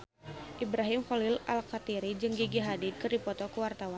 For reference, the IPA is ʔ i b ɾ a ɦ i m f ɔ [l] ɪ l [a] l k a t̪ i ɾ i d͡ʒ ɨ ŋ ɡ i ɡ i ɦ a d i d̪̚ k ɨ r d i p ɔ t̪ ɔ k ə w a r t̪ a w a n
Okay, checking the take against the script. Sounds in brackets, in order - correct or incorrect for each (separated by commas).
correct, correct